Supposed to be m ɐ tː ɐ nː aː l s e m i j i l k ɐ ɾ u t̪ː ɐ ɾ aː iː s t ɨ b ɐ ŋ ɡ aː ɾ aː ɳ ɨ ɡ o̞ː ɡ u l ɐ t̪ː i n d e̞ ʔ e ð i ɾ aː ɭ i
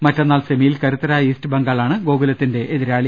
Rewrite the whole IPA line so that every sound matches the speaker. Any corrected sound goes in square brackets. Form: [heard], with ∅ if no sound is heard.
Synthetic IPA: m ɐ tː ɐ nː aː l s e m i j i l k ɐ ɾ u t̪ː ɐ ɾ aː iː s t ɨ b ɐ ŋ ɡ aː [ɭ] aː ɳ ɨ ɡ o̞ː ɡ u l ɐ t̪ː i n d e̞ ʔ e ð i ɾ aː ɭ i